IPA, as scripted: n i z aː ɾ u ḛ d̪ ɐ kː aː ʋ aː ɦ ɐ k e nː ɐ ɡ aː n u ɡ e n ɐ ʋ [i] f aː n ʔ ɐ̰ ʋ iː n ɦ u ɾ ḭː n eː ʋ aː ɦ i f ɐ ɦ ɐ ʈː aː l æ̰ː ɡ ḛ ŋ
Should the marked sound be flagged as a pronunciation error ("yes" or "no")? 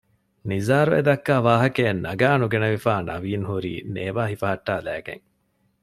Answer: no